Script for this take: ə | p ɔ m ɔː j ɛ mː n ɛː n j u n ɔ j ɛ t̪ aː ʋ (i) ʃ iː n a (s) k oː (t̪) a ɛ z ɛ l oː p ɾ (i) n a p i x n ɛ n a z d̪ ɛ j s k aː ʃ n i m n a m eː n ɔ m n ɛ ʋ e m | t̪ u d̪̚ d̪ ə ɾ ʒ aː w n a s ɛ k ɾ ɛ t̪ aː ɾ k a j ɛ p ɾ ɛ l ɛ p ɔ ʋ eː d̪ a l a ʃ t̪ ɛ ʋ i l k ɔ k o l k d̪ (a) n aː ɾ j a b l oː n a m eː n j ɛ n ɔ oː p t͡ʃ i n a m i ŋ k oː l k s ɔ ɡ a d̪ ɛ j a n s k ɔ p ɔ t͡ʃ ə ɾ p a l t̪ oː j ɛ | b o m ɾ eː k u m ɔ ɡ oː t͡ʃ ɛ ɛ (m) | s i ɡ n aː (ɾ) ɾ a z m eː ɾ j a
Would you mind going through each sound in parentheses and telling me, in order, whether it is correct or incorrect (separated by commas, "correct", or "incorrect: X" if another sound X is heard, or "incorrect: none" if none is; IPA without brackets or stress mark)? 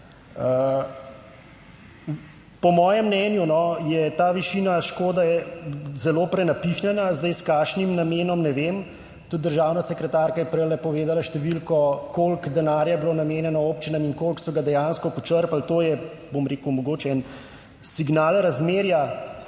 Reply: correct, incorrect: ʃ, incorrect: d̪, incorrect: ɛ, incorrect: ɛ, incorrect: n, incorrect: l